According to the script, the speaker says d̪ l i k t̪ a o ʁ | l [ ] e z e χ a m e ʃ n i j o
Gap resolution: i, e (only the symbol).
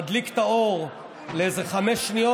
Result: e